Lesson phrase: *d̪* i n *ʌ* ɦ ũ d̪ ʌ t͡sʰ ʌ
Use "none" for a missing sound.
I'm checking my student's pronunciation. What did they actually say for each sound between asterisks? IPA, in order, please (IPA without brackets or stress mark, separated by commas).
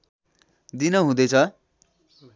d̪, ʌ